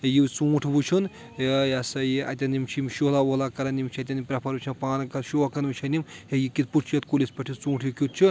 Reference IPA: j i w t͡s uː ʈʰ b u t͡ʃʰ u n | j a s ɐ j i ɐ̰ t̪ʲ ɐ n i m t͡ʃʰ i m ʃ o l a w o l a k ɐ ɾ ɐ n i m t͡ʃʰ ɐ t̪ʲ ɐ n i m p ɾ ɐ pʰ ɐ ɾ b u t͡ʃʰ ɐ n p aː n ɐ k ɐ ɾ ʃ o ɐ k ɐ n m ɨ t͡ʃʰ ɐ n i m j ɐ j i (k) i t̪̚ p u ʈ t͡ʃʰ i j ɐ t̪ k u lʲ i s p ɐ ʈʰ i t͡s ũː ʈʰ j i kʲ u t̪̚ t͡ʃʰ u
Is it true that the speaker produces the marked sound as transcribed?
yes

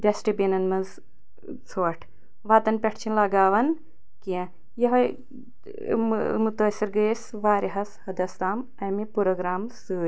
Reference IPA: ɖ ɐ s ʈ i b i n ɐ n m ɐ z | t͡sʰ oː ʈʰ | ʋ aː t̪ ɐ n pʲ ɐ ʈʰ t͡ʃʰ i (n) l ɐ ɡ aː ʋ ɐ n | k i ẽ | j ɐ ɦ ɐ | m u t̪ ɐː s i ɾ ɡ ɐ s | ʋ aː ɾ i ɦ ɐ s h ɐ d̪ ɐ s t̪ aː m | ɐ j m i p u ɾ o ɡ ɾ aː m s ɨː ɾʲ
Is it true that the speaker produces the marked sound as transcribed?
yes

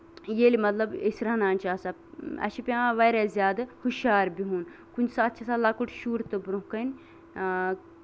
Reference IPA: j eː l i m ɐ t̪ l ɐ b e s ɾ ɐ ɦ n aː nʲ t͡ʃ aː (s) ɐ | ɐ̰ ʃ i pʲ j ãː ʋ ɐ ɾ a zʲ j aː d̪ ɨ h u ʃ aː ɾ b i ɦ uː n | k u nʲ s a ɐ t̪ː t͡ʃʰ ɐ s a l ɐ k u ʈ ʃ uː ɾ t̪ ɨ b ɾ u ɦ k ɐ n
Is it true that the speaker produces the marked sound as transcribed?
yes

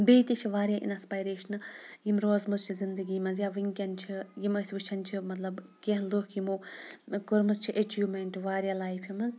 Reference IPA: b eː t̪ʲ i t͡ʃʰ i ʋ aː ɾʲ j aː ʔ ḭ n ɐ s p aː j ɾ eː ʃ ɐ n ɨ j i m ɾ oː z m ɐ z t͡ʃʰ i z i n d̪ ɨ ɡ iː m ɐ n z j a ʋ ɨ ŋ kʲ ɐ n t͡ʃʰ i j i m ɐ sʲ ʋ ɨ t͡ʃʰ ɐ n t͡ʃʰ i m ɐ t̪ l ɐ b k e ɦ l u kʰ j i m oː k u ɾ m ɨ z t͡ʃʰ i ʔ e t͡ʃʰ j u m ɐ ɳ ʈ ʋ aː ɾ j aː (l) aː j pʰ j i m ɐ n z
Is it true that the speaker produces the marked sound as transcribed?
yes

